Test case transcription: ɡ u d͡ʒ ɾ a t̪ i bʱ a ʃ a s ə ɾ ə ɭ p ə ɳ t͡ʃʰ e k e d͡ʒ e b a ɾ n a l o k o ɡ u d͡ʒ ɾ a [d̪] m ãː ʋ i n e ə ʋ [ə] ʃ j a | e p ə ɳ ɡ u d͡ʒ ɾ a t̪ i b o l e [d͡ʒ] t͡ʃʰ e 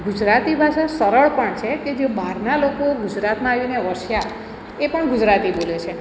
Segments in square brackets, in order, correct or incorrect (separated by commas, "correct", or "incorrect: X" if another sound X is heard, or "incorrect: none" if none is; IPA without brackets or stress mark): incorrect: t̪, correct, incorrect: none